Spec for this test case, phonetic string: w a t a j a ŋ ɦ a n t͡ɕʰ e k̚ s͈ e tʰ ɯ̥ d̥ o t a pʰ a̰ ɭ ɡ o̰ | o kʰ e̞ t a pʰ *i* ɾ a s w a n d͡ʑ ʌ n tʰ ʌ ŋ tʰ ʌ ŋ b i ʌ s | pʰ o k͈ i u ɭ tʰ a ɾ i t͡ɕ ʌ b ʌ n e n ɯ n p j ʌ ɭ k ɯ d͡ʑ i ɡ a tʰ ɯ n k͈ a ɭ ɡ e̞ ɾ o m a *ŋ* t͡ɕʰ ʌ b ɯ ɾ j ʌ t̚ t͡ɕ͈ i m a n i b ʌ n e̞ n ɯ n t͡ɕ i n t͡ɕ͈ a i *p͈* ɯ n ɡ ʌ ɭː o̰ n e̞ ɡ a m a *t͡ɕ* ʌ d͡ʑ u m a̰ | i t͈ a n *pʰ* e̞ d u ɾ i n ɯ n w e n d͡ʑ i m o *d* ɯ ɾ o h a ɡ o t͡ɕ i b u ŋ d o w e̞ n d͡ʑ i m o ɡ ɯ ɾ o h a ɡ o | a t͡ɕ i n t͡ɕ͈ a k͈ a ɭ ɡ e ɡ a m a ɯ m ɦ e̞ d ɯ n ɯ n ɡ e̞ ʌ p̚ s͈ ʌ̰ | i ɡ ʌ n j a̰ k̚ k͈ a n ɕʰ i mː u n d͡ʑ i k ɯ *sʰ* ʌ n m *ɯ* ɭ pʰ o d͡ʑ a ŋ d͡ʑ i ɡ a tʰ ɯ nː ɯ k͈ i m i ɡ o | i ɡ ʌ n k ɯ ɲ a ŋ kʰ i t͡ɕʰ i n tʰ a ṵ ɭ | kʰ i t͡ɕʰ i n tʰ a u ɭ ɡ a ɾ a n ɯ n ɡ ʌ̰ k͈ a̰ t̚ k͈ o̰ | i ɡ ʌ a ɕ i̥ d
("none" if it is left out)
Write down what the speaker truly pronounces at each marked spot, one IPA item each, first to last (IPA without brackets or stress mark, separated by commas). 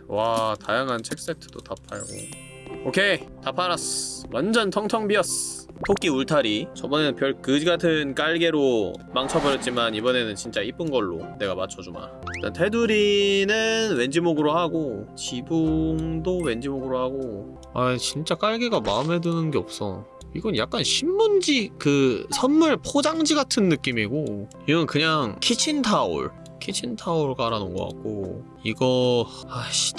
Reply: a, ŋ, p͈, t͡ɕʰ, tʰ, ɡ, sʰ, u